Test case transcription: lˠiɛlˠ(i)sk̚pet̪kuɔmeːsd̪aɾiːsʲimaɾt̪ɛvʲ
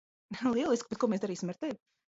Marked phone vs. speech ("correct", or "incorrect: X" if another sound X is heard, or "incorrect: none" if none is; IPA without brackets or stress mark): correct